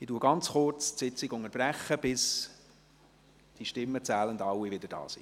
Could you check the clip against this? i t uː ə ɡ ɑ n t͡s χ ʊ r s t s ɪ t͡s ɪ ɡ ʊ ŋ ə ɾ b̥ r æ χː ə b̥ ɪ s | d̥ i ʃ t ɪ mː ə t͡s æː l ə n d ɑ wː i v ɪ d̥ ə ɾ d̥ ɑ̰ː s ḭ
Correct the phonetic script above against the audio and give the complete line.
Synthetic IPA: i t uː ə ɡ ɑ n t͡s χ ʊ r t͡s t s ɪ t͡s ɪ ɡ ʊ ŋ ə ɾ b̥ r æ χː ə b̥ ɪ s | d̥ i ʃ t ɪ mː ə t͡s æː l ə n d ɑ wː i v ɪ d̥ ə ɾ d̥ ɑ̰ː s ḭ